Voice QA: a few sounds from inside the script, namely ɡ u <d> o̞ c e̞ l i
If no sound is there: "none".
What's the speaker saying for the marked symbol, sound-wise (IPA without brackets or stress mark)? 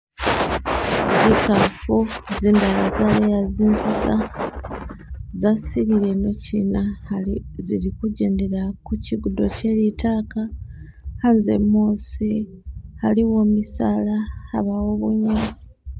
d